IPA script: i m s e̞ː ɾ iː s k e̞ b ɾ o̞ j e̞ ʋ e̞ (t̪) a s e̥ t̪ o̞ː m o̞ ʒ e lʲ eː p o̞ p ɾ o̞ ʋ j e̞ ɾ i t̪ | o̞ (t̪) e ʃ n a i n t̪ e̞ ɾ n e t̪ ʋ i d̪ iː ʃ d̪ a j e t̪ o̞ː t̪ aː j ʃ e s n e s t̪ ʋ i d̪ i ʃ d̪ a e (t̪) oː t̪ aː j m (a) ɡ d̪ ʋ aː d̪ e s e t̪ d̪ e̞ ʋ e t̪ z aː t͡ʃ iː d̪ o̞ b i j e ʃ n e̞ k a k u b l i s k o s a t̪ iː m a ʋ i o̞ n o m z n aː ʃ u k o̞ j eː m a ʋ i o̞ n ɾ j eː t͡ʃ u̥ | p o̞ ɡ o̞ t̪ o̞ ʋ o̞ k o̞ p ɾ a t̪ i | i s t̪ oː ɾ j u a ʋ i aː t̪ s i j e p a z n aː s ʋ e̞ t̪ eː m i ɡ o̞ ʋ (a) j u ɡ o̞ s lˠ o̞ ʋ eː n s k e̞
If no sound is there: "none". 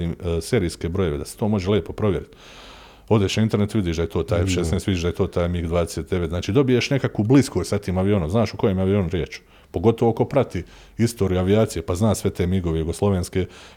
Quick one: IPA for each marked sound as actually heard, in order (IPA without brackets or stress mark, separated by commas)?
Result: d̪, d̪, t̪, i, e